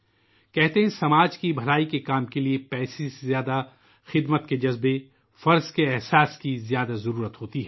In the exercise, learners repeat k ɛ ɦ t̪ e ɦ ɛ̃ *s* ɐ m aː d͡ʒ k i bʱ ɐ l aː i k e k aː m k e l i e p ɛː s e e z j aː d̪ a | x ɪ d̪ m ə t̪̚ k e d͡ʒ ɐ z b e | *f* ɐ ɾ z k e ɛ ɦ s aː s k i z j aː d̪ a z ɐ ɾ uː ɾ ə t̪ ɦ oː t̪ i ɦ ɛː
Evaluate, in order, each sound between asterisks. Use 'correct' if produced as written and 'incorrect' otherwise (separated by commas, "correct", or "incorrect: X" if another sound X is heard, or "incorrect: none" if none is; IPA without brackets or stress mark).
correct, correct